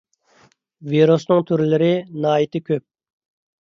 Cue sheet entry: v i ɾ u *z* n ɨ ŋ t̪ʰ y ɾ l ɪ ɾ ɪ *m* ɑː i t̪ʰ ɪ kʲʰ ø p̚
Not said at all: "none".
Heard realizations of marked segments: s, n

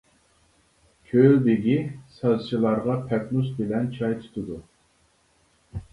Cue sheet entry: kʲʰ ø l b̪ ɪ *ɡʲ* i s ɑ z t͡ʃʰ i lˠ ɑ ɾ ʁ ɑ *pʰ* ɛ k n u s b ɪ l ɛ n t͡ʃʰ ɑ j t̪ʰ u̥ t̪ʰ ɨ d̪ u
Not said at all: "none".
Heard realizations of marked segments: ɡʲ, pʰ

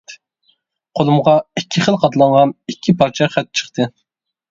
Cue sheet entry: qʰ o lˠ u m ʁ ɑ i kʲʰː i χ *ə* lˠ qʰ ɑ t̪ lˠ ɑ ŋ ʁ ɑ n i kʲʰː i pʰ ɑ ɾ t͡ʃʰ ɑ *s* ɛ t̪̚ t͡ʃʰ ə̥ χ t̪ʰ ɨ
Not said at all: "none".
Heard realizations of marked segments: ə, χ

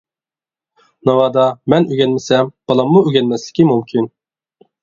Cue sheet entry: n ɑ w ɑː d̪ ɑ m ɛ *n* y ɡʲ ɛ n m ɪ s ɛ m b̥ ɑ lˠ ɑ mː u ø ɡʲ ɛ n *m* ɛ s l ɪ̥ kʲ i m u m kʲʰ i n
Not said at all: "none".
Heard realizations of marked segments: n, m

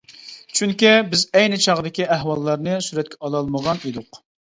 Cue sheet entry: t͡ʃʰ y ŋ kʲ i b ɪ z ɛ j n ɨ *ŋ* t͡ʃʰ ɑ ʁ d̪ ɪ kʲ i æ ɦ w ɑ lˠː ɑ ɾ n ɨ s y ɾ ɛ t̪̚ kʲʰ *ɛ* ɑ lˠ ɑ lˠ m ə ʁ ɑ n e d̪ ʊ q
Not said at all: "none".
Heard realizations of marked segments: none, ɛ

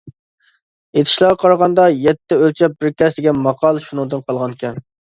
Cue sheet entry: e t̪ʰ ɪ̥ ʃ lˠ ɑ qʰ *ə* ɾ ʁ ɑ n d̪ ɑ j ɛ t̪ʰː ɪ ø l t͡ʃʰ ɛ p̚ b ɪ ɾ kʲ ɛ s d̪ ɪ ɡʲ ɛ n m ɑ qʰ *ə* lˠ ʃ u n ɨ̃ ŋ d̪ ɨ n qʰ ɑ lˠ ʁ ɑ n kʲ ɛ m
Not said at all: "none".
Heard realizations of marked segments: ɑ, ɑ

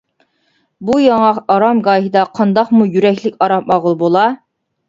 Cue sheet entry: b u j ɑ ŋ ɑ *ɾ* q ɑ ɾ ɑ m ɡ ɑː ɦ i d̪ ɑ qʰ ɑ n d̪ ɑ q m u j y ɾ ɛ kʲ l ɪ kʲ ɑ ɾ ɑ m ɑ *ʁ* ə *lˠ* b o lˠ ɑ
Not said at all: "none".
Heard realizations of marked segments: none, ʁ, lˠ

